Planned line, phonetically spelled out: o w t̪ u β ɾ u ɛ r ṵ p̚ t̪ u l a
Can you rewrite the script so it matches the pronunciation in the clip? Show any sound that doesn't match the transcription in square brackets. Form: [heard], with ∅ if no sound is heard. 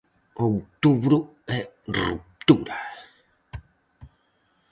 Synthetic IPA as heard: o w t̪ u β ɾ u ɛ r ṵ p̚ t̪ u [ɾ] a